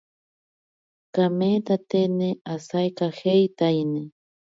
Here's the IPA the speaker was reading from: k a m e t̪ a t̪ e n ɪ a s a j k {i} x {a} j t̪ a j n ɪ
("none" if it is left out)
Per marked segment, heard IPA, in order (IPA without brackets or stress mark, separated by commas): a, e